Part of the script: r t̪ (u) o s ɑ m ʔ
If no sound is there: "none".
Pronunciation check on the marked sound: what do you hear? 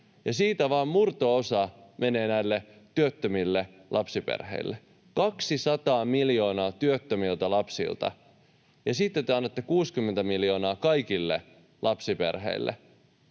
o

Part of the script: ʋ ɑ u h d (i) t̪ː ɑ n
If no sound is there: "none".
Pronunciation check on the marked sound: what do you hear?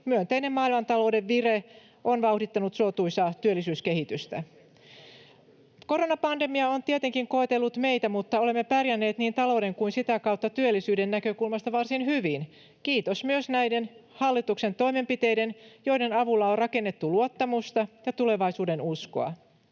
i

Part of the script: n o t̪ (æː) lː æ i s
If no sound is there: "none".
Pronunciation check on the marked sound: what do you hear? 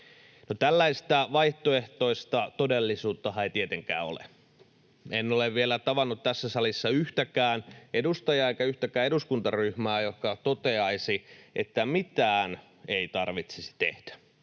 æ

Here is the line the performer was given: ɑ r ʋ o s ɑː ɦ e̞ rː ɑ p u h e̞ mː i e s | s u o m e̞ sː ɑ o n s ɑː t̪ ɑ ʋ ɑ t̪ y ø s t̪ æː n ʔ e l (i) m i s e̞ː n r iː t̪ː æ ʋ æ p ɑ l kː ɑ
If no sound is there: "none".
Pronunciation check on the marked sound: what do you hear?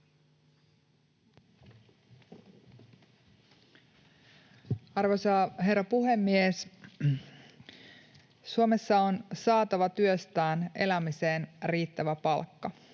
æ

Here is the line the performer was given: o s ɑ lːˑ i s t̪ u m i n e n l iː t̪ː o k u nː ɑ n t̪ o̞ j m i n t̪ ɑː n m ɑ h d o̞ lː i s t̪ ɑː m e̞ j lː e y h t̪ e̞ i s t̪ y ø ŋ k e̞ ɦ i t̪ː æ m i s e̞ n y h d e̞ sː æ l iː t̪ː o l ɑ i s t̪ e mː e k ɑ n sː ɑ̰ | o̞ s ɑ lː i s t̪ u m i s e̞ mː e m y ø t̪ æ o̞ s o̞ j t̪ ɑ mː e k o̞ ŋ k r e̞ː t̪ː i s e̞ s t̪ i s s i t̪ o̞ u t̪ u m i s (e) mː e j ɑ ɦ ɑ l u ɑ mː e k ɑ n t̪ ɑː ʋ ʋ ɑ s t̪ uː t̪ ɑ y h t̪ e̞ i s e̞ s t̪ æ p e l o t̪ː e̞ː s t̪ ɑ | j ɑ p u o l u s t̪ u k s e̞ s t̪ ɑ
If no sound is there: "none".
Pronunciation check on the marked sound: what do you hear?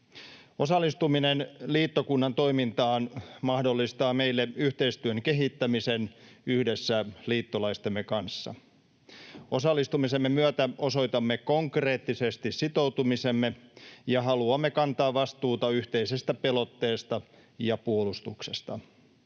e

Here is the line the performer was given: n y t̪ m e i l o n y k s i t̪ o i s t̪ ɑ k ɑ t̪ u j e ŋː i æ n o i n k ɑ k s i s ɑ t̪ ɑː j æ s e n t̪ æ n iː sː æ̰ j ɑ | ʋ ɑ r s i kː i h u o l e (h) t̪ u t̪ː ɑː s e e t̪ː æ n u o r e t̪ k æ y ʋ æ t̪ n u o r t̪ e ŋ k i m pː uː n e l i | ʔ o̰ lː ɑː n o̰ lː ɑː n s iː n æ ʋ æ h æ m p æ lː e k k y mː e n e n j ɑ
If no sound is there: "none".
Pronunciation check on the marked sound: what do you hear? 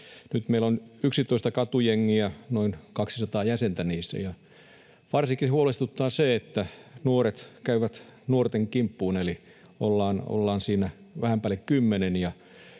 s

